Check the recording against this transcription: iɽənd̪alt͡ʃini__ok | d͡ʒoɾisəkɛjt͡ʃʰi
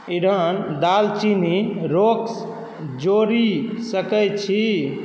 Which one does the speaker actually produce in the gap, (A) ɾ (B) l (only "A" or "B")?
A